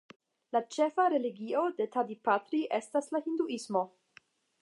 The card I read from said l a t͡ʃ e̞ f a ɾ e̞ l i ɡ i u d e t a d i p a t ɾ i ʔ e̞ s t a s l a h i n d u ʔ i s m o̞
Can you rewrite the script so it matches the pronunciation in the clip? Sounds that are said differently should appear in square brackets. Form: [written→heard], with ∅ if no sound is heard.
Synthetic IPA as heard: l a t͡ʃ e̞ f a ɾ e̞ l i ɡ i [u→o] d e t a d i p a t ɾ i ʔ e̞ s t a s l a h i n d u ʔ i s m o̞